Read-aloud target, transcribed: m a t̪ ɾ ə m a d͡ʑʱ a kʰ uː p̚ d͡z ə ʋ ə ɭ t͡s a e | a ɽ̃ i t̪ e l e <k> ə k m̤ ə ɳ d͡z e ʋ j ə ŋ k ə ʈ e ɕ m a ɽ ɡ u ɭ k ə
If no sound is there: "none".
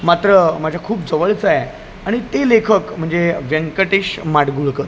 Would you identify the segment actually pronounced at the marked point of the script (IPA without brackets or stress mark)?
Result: kʰ